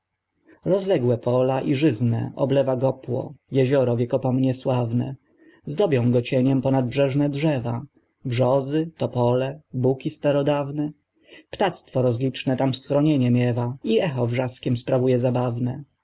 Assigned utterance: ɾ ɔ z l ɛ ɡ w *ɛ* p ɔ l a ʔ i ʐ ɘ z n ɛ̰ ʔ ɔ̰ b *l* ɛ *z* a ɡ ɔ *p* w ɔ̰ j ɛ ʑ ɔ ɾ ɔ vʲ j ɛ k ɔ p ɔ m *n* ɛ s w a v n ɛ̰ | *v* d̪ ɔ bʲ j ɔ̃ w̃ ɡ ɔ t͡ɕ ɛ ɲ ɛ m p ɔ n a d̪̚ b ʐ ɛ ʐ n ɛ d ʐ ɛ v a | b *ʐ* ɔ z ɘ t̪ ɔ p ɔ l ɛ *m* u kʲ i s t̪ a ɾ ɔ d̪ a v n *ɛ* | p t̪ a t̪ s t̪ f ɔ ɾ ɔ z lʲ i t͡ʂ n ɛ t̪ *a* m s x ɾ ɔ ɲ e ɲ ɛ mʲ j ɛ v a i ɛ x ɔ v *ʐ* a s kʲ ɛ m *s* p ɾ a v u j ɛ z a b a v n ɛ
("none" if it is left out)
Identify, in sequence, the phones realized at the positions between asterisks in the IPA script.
ɛ, l, v, p, ɲ, z, ʐ, b, ɛ, a, ʐ, s

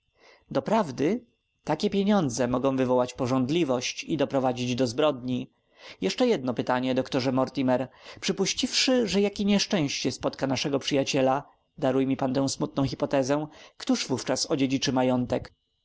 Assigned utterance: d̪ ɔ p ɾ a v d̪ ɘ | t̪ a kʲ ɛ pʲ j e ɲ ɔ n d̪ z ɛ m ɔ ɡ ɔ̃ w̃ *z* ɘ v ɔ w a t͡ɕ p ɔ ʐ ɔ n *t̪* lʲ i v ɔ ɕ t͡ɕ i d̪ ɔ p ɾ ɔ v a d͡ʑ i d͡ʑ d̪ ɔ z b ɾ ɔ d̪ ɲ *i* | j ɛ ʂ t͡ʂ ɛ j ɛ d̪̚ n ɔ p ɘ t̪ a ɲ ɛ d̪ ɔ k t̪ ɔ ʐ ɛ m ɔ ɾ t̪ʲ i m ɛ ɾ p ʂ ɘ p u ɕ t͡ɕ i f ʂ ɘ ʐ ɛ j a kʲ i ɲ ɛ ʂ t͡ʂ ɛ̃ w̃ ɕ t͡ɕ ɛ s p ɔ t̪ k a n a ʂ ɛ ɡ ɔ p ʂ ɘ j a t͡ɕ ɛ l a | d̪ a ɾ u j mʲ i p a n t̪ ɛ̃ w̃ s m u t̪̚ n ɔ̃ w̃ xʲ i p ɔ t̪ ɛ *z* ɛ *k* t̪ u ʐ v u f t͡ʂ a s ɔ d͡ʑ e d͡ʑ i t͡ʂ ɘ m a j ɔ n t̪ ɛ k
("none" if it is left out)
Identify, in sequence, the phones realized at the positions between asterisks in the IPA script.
v, d̪, i, z, k

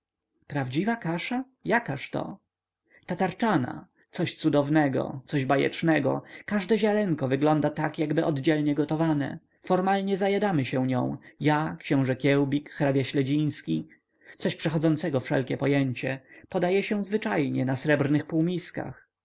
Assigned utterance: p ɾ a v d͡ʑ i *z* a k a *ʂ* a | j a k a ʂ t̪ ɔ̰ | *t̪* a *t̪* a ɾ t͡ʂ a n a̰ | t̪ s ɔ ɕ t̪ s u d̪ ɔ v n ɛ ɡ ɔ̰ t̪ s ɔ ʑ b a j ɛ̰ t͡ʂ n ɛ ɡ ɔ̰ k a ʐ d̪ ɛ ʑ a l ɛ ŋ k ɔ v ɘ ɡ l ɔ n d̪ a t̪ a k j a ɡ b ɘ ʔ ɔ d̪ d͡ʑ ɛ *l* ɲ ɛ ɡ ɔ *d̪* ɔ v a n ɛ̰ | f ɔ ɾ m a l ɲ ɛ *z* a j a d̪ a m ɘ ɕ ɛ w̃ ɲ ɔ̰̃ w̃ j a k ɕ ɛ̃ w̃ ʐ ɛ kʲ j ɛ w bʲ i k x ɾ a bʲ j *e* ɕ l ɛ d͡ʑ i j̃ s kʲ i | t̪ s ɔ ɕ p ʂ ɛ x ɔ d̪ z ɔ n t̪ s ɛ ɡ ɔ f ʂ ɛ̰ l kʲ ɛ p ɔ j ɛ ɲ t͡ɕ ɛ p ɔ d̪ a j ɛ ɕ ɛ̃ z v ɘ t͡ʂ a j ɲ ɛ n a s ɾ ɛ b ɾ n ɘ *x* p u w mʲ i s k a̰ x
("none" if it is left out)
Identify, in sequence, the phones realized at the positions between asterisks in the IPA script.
v, ʂ, t̪, t̪, l, t̪, z, a, x

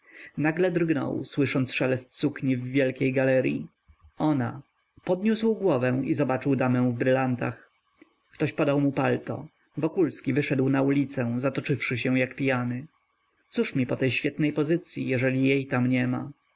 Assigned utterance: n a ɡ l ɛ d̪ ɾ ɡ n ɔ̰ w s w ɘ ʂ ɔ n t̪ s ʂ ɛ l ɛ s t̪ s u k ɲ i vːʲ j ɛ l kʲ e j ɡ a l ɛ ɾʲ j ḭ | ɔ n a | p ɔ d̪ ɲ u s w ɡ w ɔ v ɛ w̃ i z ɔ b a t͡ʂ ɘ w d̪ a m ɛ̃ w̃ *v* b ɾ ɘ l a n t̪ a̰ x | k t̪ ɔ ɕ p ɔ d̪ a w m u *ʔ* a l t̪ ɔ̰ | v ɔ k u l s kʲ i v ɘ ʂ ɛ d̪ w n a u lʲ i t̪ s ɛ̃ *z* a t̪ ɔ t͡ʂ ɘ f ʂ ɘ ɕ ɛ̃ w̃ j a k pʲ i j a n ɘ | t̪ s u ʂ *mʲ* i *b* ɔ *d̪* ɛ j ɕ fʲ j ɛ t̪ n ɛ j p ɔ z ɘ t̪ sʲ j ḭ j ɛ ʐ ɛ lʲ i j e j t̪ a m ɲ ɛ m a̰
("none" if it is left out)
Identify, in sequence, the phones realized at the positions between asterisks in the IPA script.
v, p, z, mʲ, p, t̪

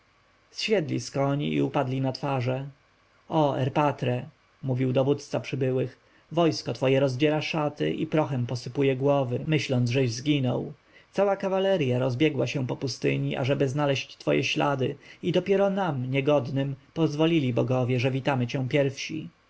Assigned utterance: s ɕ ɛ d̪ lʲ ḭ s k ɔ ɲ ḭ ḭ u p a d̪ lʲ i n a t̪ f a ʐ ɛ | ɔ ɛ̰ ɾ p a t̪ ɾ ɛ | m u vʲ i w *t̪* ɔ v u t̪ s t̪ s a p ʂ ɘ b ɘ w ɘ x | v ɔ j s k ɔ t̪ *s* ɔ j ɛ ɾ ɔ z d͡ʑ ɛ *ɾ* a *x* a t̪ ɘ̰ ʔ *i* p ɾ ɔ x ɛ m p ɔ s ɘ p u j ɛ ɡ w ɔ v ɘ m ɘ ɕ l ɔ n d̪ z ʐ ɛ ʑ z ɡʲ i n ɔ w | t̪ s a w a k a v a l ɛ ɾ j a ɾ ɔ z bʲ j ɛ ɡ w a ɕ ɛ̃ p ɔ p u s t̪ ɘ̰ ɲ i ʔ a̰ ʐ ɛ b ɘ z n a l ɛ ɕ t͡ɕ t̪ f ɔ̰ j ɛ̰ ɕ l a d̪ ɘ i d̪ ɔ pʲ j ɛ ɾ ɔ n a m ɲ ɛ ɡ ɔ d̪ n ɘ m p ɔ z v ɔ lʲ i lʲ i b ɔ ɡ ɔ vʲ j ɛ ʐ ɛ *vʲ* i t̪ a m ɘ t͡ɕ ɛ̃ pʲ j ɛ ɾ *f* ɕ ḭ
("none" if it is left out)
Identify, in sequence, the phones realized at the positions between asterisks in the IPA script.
d̪, f, ɾ, ʂ, i, vʲ, f

